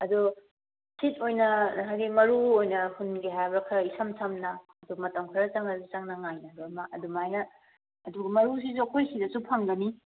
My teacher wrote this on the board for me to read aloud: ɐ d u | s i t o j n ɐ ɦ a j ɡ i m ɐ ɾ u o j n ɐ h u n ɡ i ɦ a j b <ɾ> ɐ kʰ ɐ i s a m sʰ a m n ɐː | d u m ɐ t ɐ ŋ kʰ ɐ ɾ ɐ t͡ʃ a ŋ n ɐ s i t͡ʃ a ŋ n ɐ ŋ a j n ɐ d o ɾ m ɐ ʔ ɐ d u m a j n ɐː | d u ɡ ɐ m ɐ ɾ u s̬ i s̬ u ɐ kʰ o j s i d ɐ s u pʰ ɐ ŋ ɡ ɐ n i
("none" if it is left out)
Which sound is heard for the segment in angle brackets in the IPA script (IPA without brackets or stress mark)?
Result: ɾ